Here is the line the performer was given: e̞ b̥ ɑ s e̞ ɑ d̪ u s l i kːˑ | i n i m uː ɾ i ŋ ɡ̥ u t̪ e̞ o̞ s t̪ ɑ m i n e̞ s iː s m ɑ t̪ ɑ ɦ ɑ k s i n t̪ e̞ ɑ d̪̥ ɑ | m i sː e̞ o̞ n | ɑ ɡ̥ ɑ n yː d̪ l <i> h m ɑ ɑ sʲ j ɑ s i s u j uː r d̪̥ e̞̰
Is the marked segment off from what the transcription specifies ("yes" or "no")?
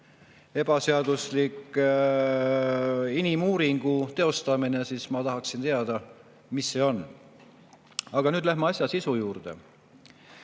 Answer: yes